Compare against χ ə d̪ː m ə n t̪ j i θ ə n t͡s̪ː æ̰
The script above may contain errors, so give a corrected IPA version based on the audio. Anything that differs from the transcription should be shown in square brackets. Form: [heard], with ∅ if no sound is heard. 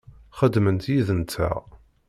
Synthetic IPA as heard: χ ə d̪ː m ə n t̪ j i [ð] ə n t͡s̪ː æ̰